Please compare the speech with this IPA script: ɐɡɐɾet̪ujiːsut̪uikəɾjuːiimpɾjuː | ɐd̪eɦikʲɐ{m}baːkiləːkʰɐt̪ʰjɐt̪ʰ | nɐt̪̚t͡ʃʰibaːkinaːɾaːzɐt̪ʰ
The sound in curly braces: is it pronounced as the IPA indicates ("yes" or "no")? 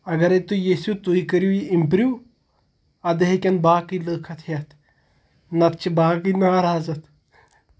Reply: no